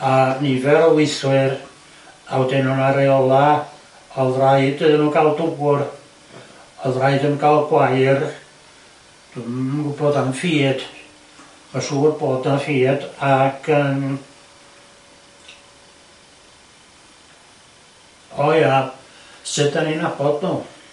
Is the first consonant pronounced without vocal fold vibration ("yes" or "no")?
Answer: no